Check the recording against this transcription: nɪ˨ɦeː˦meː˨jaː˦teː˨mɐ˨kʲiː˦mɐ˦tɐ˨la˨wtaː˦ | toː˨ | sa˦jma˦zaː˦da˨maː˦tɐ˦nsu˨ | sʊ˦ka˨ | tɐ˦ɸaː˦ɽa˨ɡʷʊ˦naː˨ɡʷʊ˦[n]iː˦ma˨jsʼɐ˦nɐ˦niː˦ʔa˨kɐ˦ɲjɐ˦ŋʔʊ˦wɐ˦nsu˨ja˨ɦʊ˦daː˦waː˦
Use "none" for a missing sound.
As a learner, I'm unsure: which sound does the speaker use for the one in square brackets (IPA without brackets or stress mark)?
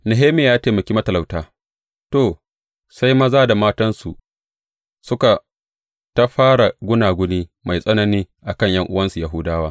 n